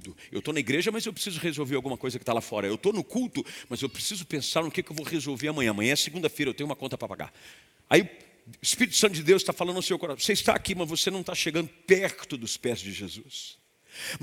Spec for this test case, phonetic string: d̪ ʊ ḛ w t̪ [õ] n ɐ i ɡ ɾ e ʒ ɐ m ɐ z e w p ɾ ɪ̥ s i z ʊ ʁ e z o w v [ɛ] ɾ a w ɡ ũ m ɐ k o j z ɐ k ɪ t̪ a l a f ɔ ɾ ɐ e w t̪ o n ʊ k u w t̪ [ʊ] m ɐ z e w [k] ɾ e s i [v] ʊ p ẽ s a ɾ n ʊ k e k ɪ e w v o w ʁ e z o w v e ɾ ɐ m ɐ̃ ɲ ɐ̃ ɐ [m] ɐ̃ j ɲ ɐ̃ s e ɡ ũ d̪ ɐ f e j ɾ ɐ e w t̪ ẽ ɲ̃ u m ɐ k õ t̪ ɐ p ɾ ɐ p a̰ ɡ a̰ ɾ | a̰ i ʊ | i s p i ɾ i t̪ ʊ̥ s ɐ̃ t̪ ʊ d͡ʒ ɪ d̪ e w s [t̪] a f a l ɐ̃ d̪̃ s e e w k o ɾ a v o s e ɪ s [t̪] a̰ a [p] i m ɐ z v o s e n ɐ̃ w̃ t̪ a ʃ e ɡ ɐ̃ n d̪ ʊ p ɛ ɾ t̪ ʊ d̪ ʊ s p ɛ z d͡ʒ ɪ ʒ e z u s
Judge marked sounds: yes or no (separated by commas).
no, no, yes, no, no, yes, yes, yes, no